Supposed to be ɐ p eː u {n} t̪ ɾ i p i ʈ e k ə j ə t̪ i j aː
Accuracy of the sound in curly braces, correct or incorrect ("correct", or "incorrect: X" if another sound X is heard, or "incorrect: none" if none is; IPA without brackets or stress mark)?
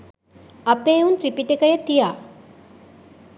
correct